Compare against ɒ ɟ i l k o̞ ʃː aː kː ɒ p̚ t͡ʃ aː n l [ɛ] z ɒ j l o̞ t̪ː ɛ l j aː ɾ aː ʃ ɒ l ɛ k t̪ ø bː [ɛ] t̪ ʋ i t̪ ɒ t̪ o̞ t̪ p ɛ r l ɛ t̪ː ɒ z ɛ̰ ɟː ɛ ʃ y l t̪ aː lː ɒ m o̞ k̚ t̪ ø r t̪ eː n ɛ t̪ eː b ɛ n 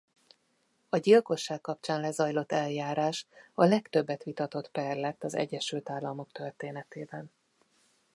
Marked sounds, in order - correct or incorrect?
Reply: correct, correct

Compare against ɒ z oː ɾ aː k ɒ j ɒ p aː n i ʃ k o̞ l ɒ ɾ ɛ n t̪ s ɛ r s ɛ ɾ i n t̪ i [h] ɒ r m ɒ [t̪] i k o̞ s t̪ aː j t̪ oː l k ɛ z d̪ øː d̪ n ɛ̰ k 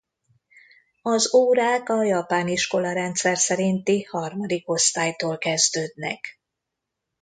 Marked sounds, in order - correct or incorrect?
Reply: correct, incorrect: d̪

